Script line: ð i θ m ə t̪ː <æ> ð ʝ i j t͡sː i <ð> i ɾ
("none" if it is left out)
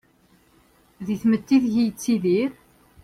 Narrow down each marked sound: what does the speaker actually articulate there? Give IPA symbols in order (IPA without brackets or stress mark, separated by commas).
i, ð